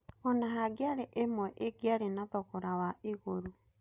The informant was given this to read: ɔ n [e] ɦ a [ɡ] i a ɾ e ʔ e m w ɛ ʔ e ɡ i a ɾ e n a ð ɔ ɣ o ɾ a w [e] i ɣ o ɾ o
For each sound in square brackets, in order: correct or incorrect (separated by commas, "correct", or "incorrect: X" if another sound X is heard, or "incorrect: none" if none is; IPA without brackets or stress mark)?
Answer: incorrect: a, correct, incorrect: a